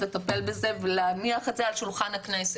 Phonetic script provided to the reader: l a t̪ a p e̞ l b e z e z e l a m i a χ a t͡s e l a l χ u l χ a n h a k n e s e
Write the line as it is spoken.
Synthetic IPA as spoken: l e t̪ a p e̞ l b e z e v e l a m i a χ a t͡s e a l ʃ u l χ a n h a k n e s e